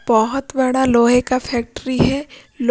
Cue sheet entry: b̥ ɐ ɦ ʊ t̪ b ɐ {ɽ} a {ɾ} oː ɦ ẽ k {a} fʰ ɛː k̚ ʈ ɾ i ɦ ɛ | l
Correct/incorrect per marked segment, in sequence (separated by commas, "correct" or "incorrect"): correct, incorrect, correct